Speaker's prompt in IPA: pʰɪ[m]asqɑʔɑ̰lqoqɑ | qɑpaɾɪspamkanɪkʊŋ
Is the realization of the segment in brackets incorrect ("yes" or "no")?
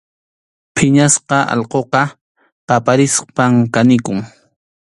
yes